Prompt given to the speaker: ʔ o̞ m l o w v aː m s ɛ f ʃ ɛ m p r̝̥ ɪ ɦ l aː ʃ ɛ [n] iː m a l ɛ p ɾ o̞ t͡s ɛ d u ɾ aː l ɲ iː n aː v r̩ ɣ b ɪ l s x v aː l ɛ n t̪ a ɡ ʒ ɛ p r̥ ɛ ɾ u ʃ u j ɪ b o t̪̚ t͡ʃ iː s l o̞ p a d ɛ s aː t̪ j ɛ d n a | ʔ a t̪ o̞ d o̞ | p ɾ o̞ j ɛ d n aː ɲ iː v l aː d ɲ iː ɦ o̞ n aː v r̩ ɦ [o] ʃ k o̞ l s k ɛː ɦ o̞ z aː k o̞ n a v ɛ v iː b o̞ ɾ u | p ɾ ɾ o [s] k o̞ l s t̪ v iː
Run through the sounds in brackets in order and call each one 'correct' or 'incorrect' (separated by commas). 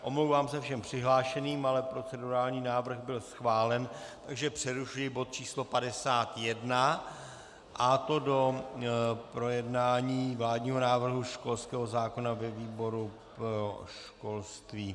correct, incorrect, incorrect